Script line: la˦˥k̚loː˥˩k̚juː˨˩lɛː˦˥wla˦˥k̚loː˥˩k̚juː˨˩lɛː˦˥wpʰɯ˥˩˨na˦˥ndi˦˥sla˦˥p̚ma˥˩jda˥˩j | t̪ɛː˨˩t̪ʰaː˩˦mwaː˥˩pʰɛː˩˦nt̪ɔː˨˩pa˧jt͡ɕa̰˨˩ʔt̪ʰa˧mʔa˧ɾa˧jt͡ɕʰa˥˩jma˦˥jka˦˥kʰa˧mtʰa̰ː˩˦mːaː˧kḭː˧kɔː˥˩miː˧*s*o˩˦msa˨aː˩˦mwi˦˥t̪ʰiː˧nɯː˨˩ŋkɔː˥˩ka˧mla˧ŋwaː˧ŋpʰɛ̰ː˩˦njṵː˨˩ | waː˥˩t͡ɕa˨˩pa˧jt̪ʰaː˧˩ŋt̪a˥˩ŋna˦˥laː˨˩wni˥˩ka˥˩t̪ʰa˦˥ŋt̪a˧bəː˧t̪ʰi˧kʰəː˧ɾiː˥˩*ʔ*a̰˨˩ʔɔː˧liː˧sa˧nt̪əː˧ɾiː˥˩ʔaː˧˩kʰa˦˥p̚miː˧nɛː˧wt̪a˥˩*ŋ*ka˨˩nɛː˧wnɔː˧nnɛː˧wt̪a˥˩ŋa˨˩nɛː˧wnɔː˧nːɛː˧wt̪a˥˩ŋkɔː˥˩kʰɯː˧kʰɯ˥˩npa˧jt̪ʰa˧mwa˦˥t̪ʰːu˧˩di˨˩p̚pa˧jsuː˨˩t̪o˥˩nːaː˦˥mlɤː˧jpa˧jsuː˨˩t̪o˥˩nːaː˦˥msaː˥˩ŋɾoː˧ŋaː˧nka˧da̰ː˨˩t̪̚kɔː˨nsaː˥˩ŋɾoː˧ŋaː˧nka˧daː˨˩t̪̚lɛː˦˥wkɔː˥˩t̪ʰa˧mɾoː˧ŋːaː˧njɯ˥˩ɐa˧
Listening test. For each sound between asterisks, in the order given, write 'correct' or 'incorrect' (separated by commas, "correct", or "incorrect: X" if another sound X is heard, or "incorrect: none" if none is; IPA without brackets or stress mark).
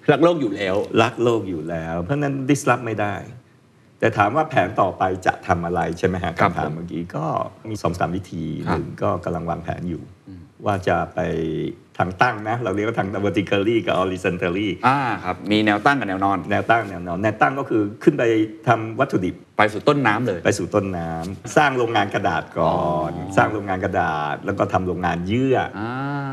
correct, incorrect: k, correct